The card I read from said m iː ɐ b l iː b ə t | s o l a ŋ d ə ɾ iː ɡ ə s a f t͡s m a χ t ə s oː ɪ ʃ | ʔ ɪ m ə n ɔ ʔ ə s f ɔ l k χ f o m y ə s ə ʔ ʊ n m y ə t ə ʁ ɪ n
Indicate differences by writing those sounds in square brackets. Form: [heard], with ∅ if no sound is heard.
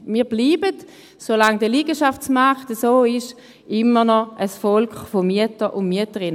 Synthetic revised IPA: m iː ɐ b l iː b ə t | s o l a ŋ d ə [l] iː ɡ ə [ʃ] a f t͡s m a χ t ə s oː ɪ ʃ | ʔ ɪ m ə n ɔ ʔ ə s f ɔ l k χ f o m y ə [t] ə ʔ ʊ n m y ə t ə ʁ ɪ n